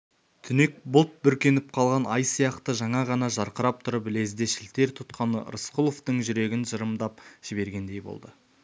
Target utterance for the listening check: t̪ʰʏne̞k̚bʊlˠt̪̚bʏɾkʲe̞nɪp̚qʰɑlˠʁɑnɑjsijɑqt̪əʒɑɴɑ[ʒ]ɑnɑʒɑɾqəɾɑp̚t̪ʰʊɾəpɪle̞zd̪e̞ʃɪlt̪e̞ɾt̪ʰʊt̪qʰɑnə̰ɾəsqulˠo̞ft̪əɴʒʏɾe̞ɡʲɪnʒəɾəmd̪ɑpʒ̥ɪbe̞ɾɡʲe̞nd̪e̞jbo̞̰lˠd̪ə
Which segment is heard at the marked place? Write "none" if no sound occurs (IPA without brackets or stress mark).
ʁ